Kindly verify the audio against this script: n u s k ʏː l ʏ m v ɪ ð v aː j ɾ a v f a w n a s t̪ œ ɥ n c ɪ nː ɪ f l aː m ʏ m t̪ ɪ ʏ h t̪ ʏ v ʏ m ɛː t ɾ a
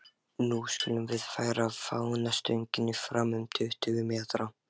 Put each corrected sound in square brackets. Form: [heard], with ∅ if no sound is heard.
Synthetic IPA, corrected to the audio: n u s k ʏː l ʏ m v ɪ ð [f] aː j ɾ a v f a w n a s t̪ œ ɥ [ɲ] c ɪ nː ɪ f [ɾ] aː m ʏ m [t̪ʰ] ɪ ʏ h t̪ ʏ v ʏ m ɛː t ɾ a